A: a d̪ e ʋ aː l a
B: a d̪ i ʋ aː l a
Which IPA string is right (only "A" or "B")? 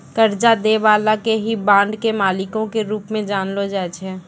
A